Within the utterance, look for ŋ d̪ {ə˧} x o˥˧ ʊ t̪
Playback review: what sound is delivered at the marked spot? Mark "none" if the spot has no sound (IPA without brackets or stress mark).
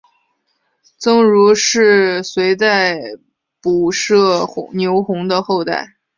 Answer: ə˧